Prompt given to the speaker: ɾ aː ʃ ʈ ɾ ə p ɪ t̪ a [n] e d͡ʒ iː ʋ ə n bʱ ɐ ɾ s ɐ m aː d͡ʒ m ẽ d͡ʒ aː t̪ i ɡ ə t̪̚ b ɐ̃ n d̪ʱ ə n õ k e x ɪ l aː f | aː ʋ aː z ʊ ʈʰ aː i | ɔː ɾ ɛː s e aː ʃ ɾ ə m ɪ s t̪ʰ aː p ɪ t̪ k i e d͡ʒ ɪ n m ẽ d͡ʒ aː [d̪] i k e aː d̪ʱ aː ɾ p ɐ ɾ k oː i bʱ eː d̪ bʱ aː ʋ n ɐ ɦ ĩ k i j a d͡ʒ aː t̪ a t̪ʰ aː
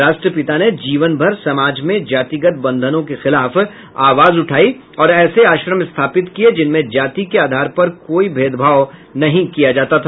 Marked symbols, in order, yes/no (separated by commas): yes, no